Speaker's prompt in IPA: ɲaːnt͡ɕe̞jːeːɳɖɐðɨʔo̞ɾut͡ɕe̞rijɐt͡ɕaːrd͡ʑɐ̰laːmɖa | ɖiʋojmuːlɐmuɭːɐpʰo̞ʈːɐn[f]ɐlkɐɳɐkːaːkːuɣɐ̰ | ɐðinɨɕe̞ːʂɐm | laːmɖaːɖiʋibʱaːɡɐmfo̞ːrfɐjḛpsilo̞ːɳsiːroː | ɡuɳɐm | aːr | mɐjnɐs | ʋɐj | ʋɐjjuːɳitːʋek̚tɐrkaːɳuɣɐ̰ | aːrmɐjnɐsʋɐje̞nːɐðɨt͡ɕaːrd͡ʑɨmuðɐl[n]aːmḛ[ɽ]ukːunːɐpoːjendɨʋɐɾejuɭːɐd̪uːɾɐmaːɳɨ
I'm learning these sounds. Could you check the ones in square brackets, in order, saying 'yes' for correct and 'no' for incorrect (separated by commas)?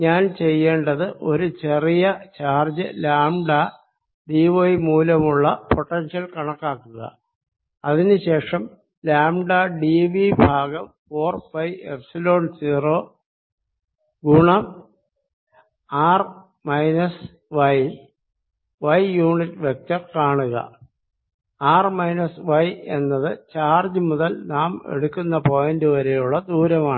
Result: no, yes, yes